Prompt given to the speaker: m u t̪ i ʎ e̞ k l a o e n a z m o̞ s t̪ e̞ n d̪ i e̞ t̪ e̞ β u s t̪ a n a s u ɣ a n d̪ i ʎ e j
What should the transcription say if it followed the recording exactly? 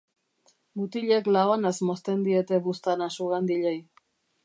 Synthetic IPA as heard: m u t̪ i ʎ e̞ k l a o a n a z m o̞ s t̪ e̞ n d̪ i e̞ t̪ e̞ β u s t̪ a n a s u ɣ a n d̪ i ʎ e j